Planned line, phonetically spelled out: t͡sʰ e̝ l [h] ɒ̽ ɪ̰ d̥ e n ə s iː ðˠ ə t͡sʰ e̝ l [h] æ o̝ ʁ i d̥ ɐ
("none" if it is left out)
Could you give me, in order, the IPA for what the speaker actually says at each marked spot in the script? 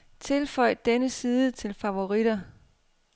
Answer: f, f

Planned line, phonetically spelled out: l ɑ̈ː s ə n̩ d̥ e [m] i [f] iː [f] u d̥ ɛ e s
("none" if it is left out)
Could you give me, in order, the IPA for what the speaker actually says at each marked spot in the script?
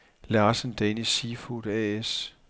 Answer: n, s, f

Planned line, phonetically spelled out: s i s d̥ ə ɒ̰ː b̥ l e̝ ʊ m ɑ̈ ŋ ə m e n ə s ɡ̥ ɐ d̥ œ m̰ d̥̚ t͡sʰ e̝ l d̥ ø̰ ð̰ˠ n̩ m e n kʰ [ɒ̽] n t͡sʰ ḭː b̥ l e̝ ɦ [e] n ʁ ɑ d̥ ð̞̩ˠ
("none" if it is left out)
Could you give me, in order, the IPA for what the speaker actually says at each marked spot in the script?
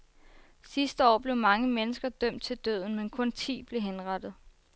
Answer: ɔ̽, e

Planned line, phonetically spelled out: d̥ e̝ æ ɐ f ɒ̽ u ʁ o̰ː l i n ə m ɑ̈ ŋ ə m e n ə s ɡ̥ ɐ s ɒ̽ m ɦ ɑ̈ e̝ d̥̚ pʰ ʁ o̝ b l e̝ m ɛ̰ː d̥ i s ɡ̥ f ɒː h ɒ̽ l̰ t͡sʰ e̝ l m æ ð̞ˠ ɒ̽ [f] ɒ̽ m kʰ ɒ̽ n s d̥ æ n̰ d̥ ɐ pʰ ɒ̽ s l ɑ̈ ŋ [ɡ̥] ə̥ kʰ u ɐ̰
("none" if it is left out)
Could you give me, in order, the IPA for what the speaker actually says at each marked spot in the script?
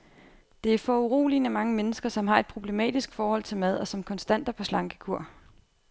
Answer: s, ɡ̥

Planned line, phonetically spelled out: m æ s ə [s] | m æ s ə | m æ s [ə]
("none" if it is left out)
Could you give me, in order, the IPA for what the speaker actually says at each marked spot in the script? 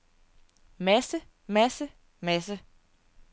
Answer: none, ə

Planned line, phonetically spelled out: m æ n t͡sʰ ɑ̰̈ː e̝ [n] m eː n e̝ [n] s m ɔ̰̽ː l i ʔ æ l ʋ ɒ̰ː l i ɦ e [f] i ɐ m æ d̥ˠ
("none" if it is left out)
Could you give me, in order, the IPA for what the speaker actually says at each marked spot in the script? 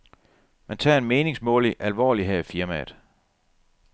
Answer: n, ŋ, f

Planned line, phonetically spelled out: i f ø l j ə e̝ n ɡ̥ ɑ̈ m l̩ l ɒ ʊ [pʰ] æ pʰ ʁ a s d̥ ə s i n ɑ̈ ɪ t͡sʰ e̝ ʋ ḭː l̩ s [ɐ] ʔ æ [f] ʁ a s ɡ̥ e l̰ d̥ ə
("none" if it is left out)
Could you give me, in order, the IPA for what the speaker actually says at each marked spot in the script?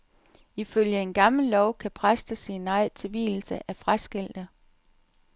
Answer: kʰ, ə, f

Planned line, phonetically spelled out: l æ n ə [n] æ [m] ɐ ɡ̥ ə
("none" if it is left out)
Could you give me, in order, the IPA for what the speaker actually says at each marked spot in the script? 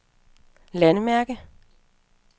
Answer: m, none

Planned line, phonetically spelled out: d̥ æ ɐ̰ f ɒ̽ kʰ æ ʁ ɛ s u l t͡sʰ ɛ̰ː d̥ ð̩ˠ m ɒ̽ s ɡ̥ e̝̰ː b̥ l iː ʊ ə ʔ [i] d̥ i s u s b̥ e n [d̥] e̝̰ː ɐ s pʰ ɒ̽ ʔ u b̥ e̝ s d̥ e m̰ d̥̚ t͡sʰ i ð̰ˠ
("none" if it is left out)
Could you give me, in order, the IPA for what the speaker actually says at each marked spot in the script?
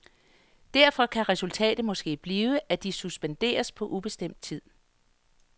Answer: æ, d̥

